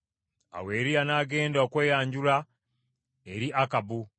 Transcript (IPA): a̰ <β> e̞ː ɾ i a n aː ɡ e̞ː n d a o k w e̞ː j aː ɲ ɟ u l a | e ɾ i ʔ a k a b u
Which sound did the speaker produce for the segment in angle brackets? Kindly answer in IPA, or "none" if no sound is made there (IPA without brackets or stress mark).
w